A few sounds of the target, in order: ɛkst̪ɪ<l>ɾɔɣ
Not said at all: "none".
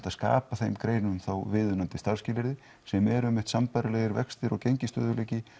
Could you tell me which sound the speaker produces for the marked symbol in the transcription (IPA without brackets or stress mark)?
none